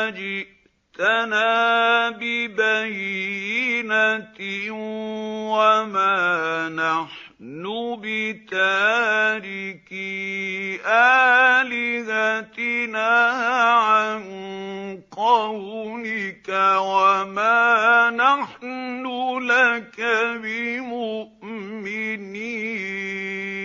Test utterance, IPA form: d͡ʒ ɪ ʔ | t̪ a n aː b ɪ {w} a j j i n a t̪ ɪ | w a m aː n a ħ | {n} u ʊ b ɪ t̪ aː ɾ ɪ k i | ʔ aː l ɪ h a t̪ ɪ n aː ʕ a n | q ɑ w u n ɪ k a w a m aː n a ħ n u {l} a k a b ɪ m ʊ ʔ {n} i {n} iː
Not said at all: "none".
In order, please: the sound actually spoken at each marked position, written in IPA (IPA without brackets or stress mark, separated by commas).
b, n, l, m, n